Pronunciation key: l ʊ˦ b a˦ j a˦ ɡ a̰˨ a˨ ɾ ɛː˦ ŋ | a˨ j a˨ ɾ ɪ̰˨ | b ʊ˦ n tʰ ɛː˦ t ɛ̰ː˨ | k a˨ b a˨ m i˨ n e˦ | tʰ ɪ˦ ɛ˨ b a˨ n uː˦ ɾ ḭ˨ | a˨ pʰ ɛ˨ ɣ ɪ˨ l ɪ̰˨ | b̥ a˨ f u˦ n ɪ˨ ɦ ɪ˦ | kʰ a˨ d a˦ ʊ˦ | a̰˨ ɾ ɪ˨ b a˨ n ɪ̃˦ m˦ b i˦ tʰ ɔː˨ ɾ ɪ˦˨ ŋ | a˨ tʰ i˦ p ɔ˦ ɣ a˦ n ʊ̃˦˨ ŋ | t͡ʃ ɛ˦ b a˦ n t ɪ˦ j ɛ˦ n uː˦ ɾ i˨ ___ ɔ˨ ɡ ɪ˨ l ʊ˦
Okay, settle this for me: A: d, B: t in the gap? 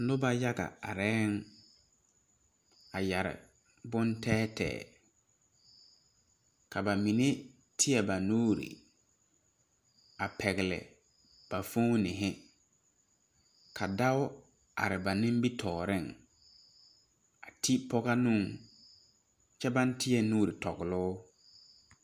B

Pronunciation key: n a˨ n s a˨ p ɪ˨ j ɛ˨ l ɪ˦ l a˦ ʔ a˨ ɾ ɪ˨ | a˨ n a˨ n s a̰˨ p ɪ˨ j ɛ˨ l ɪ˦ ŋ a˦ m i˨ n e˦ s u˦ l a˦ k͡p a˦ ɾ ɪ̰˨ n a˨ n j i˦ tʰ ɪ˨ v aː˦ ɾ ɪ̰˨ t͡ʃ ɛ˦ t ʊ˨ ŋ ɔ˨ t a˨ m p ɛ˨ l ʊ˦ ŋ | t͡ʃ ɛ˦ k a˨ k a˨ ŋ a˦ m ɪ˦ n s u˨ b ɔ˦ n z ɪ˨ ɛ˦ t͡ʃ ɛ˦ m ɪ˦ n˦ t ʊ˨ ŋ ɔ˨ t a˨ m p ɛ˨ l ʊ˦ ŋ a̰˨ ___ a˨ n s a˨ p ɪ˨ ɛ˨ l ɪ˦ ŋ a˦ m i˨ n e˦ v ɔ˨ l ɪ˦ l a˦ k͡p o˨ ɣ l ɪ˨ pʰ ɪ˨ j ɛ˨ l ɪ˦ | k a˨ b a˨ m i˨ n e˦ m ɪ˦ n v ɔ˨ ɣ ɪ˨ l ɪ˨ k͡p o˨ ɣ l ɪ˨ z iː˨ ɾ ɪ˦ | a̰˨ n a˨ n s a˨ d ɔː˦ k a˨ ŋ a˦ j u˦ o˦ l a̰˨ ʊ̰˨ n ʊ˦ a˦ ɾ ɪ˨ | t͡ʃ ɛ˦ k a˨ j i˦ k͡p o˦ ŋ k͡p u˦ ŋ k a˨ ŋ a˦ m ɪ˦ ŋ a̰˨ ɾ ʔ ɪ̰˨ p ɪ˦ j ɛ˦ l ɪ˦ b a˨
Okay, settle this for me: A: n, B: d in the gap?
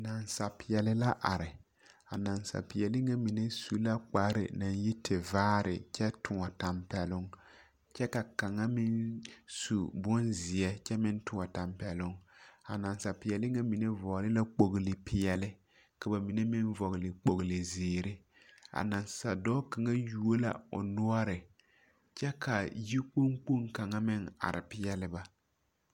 A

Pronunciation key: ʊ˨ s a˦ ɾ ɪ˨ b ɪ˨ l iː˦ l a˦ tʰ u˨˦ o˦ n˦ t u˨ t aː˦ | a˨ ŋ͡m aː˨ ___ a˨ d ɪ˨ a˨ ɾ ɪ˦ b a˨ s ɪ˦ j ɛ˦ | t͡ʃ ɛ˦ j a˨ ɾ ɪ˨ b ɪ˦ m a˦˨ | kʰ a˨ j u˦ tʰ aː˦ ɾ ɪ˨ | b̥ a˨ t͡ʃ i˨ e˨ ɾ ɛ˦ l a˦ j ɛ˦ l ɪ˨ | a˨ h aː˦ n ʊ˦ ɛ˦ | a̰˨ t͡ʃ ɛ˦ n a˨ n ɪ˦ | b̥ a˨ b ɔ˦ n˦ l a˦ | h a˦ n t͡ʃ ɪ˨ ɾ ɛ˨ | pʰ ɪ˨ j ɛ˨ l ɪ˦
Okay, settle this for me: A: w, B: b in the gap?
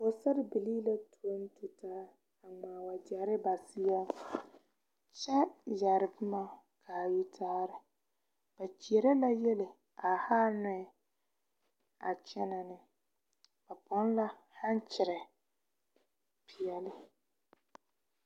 A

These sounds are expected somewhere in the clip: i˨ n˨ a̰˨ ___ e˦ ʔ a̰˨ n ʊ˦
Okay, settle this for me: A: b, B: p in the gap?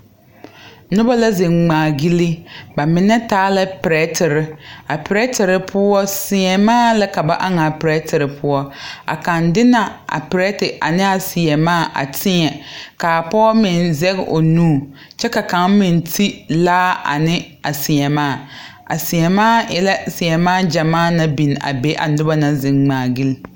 A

